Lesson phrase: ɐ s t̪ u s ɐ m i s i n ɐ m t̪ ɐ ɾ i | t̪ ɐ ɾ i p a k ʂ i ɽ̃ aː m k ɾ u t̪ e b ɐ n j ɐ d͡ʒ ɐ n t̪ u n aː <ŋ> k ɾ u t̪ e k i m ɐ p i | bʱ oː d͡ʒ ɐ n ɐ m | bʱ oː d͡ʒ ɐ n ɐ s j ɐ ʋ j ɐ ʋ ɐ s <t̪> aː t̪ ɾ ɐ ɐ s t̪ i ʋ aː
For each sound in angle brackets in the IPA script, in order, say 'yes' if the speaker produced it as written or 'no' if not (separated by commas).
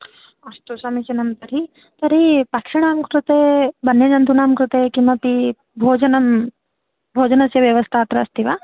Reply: no, no